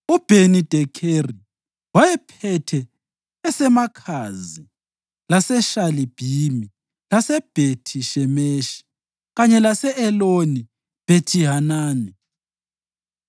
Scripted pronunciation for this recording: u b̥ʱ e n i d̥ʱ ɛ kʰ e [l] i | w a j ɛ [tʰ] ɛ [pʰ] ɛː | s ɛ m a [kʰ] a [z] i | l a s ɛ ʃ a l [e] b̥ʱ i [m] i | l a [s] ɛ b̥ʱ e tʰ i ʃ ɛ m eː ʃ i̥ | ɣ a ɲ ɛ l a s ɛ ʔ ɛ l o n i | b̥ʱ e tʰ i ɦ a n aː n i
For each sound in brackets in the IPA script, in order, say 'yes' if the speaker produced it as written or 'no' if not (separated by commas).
no, no, no, yes, yes, no, yes, yes